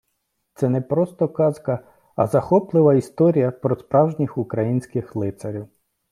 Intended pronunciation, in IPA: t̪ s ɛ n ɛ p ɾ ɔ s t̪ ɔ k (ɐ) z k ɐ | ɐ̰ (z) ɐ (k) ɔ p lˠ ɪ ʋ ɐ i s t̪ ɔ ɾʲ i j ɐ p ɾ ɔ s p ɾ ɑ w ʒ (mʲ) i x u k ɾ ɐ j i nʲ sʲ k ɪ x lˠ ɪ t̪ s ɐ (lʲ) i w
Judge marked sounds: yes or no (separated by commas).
no, yes, no, no, no